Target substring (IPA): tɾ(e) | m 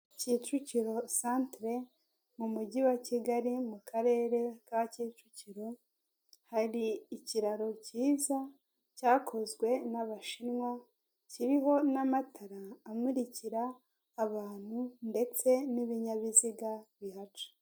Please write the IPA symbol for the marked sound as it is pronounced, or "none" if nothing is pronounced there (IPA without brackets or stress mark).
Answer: e